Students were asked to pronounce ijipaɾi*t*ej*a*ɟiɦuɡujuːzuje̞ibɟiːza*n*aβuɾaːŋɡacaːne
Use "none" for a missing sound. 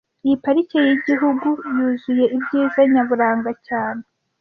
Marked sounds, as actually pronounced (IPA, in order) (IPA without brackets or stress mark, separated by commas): c, i, ɲ